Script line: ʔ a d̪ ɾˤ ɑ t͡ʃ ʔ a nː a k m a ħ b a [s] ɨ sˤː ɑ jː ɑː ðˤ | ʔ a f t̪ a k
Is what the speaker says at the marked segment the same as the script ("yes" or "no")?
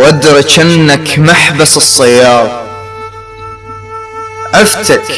yes